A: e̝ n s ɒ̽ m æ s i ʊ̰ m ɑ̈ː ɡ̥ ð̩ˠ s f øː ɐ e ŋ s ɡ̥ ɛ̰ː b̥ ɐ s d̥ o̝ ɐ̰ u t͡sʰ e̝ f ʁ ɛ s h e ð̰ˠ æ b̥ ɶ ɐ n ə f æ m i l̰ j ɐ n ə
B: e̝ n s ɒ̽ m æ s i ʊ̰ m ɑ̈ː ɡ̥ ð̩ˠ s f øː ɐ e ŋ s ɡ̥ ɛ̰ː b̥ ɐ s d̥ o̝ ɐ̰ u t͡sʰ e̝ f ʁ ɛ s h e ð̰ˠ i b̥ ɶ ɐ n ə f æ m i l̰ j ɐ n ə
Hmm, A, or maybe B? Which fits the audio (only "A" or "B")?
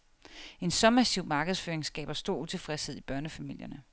B